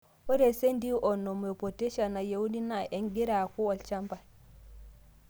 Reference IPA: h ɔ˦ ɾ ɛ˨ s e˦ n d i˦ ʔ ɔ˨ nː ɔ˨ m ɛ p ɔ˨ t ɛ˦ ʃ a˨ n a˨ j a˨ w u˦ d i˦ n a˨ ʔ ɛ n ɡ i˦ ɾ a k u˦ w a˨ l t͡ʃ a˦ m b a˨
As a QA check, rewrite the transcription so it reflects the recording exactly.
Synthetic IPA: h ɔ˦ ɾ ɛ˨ s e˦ n d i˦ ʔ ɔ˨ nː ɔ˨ m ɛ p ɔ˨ t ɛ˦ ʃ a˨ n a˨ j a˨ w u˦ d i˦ n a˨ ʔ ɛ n ɡ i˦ ɾ a k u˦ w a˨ l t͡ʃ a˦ m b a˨